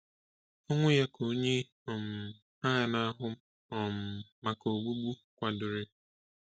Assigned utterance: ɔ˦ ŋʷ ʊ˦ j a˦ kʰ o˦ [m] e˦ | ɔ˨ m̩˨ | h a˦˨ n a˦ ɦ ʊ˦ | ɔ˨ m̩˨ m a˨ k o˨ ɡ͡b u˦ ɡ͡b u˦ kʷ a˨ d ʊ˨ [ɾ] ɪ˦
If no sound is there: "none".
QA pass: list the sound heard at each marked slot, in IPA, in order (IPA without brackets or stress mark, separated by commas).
ɲ, ɾ